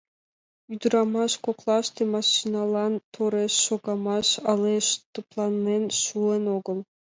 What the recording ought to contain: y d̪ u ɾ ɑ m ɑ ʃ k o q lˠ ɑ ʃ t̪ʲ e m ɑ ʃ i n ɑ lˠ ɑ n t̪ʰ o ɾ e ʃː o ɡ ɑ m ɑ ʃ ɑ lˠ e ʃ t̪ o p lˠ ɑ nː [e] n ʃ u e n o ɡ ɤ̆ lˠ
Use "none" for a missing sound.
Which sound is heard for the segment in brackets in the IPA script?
e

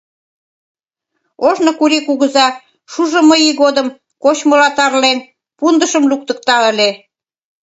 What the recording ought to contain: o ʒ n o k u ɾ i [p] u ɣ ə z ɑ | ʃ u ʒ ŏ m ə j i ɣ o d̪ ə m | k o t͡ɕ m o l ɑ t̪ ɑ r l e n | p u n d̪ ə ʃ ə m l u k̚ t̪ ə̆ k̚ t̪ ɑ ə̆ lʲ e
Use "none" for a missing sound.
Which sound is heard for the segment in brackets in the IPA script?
k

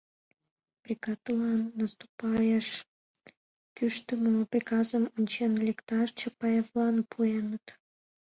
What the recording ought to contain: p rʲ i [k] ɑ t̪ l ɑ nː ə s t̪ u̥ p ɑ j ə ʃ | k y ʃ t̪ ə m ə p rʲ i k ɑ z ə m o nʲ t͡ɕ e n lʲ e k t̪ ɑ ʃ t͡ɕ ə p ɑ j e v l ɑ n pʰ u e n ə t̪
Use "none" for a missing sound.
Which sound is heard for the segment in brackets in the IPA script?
k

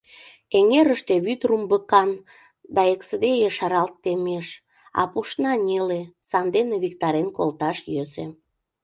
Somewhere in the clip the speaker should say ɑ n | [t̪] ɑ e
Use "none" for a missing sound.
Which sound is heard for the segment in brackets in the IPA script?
d̪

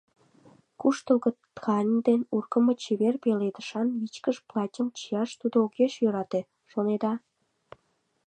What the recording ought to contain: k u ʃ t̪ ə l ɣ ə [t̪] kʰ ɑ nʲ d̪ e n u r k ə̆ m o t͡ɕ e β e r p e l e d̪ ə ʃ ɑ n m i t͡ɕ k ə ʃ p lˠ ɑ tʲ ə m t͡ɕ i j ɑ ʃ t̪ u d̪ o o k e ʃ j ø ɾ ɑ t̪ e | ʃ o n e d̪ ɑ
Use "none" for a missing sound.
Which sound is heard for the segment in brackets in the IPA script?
t̪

